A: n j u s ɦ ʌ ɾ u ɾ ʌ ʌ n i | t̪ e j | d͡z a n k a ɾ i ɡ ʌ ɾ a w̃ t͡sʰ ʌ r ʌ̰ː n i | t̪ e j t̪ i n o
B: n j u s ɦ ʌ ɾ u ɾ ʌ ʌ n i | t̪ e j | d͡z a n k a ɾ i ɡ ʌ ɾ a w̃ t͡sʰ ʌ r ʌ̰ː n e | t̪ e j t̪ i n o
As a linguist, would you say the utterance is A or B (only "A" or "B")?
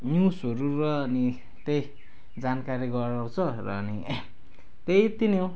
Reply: A